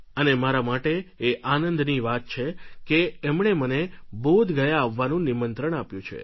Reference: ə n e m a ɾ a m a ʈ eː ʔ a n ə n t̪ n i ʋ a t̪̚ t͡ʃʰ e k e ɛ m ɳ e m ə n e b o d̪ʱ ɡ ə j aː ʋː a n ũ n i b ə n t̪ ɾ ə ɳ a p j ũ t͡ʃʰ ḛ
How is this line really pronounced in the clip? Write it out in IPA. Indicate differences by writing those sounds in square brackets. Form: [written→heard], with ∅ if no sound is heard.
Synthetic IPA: ə n e m a ɾ a m a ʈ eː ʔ a n ə n [t̪→d̪] n i ʋ a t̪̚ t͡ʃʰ e k e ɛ m ɳ e m ə n e b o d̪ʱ ɡ ə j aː ʋː a n ũ n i [b→m] ə n t̪ ɾ ə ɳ a p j ũ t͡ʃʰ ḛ

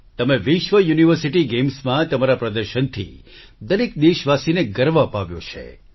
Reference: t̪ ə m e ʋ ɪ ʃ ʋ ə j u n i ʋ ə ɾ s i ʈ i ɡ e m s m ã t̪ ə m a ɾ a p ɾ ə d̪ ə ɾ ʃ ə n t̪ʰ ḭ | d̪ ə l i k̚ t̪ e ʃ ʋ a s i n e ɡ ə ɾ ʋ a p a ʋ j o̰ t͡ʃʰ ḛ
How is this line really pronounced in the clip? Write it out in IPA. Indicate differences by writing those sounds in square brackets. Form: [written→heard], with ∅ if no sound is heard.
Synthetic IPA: t̪ ə m e ʋ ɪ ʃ ʋ ə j u n i ʋ ə ɾ s i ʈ i ɡ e m s m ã t̪ ə m a ɾ a p ɾ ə d̪ ə ɾ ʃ ə n t̪ʰ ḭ | d̪ ə l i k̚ [t̪→d̪] e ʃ ʋ a s i n e ɡ ə ɾ ʋ a p a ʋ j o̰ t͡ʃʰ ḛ

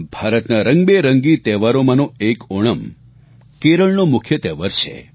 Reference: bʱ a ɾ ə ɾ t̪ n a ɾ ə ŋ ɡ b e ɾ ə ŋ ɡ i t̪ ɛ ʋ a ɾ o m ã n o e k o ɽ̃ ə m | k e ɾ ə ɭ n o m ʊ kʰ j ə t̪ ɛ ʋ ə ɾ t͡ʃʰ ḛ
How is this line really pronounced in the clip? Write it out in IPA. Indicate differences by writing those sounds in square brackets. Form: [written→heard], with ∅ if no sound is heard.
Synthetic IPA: bʱ a ɾ ə [ɾ→∅] t̪ n a ɾ ə ŋ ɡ b e ɾ ə ŋ ɡ i t̪ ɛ ʋ a ɾ o m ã n o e k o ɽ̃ ə m | k e ɾ ə ɭ n o m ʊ kʰ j ə t̪ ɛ ʋ ə ɾ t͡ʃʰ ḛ

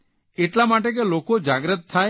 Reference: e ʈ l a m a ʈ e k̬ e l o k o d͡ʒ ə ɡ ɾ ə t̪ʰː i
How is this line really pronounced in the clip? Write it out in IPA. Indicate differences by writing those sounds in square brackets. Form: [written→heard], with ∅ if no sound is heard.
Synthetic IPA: e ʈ l a m a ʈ e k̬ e l o k o d͡ʒ [ə→a] ɡ ɾ ə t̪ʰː [i→a]

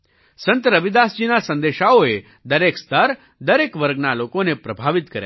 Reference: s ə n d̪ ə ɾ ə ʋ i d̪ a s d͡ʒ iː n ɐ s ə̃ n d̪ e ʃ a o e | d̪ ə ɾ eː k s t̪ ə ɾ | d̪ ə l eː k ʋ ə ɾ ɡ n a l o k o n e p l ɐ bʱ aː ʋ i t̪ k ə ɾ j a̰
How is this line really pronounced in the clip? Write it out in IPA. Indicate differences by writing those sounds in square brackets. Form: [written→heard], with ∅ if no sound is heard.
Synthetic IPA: s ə n [d̪→t̪] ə ɾ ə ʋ i d̪ a s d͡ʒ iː n [ɐ→a] s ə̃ n d̪ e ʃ a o e | d̪ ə ɾ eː k s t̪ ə ɾ | d̪ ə [l→ɾ] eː k ʋ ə ɾ ɡ n a l o k o n e p [l→ɾ] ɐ bʱ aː ʋ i t̪ k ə ɾ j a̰

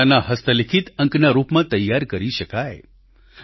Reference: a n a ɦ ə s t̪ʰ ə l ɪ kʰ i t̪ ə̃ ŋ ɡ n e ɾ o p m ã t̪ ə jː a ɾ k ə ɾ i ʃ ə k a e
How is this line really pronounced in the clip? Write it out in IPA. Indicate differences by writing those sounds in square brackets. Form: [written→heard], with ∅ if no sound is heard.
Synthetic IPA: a n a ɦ ə s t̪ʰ ə l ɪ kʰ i t̪ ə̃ ŋ [ɡ→k] n [e→a] ɾ [o→u] p m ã t̪ ə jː a ɾ k ə ɾ i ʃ ə k a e

